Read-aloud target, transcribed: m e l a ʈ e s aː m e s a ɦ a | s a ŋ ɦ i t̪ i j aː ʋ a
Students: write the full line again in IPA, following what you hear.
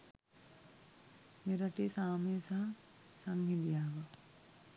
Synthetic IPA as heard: m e ɾ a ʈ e s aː m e s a ɦ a | s a ŋ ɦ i d̪ i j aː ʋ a